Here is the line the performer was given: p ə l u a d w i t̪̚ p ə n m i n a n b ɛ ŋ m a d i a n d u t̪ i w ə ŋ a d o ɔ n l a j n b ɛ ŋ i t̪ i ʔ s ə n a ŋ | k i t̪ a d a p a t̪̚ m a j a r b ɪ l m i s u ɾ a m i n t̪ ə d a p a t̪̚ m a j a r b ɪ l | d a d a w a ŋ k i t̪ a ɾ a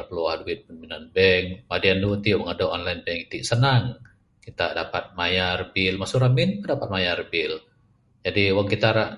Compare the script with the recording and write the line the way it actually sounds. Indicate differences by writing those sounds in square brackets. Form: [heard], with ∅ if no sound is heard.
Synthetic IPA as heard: p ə l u a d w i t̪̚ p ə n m i n a n b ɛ ŋ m a d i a n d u t̪ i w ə ŋ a d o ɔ n l a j n b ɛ ŋ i t̪ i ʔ s ə n a ŋ | k i t̪ a d a p a t̪̚ m a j a r b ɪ l m [a] s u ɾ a m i n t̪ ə d a p a t̪̚ m a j a r b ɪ l | [d͡ʒ] a d [i] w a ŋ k i t̪ a ɾ a